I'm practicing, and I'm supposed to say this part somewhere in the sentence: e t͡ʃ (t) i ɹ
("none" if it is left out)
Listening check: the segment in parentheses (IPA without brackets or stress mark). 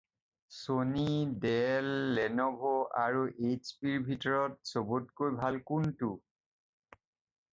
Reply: p